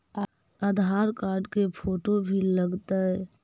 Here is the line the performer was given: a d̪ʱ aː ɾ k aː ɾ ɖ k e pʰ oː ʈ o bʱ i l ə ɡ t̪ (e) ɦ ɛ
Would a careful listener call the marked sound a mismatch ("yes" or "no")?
yes